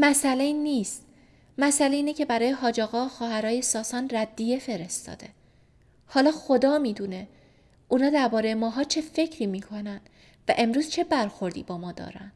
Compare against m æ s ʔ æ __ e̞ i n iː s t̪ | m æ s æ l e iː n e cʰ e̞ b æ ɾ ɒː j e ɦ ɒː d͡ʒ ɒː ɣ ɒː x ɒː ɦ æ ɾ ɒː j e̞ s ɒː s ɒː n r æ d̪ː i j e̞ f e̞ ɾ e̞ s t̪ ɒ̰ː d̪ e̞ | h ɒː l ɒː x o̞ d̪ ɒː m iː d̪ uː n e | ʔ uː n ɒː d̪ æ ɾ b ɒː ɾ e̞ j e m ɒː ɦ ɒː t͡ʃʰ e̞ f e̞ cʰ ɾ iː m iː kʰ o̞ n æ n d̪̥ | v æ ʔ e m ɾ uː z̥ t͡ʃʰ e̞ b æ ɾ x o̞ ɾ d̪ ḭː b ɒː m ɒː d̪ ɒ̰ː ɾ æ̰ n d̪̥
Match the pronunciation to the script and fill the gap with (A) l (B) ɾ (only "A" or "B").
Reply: A